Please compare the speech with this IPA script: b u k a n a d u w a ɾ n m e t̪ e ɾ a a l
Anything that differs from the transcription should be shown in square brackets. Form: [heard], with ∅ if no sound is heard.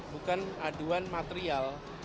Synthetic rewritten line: b u k a n a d u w a [∅] n m [a] t̪ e ɾ [i] a l